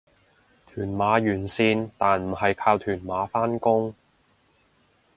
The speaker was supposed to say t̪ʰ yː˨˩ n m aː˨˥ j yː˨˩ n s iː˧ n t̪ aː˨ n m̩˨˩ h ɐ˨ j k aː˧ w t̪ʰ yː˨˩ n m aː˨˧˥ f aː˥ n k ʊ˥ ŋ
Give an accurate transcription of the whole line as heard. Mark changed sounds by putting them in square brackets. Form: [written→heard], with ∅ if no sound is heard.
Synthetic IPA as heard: t̪ʰ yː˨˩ n m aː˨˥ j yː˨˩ n s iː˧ n t̪ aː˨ n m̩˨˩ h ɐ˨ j [k→kʰ] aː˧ w t̪ʰ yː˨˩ n m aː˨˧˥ f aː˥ n k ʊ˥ ŋ

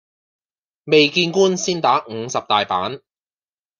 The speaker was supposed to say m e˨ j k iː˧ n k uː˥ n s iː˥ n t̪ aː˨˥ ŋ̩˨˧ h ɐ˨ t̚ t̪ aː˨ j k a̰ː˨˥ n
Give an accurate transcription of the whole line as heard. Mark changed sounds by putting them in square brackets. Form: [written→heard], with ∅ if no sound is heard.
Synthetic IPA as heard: m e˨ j k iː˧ n k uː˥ n s iː˥ n t̪ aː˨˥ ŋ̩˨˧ [h→s] ɐ˨ [t̚→p̚] t̪ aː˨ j [k→p] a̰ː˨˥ n

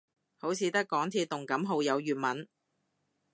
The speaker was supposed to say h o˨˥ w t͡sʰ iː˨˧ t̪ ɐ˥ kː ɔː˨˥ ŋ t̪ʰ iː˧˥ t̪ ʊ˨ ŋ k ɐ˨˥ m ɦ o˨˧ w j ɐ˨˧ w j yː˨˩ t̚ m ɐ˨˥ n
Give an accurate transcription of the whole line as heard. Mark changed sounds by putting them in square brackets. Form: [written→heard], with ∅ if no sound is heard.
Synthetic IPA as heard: h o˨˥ w t͡sʰ iː˨˧ t̪ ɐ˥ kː ɔː˨˥ ŋ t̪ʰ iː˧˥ t̪ ʊ˨ ŋ k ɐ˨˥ m ɦ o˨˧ w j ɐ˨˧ w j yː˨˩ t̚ m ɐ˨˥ n

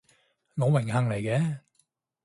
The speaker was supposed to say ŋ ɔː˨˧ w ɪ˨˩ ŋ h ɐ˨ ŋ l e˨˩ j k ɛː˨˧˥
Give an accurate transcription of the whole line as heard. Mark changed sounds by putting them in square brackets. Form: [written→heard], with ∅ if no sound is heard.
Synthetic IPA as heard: ŋ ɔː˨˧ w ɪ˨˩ ŋ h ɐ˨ ŋ l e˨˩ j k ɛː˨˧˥

